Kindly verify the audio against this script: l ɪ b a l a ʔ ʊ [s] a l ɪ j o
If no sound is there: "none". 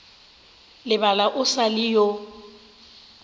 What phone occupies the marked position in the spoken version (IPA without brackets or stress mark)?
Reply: s